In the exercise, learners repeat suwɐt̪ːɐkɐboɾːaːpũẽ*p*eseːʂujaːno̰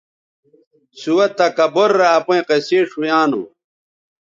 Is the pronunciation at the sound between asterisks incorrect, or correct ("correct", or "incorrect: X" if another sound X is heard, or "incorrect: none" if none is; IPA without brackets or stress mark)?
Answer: incorrect: q